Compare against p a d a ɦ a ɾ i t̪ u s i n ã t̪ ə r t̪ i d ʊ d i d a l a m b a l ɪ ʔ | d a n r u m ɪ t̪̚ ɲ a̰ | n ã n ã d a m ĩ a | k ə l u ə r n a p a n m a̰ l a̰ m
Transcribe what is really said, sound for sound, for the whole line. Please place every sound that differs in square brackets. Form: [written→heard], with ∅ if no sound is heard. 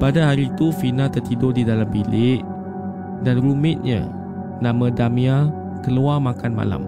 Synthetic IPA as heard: p a d a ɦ a ɾ i t̪ u [s→f] i n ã t̪ ə r t̪ i d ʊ d i d a l a m b [a→i] l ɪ ʔ | d a n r u m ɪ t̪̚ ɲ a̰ | n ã [n→m] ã d a m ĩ a | k ə l u [ə→a] r [n→m] a [p→k] a n m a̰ l a̰ m